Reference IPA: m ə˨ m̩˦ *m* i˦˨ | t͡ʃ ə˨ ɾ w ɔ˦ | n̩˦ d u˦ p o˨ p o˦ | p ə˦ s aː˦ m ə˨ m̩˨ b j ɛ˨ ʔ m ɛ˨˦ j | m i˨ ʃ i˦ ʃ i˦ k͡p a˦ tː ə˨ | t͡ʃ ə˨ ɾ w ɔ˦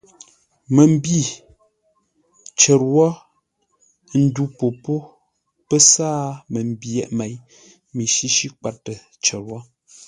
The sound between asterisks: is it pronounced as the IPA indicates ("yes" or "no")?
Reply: no